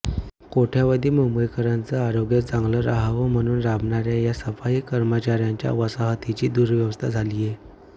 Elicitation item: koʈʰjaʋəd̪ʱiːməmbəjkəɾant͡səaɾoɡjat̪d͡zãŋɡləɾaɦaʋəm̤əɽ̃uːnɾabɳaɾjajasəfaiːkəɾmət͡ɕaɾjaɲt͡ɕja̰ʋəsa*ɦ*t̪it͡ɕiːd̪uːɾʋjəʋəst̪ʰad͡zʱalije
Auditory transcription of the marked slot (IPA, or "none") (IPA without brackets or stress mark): ɦ